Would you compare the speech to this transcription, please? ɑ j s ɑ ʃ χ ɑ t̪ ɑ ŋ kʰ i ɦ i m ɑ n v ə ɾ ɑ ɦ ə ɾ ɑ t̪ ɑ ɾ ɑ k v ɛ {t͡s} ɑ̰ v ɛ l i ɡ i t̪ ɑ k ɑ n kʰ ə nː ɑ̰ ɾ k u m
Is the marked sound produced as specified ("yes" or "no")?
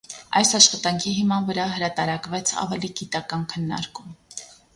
no